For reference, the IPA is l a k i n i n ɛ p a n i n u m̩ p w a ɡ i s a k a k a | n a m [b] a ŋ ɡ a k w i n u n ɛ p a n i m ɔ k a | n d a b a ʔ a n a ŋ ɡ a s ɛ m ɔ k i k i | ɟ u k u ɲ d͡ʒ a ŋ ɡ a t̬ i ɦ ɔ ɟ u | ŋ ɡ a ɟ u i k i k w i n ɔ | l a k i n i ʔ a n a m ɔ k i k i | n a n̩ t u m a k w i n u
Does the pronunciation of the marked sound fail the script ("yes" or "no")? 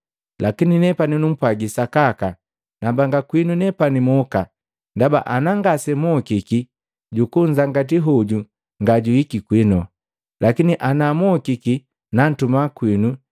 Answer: no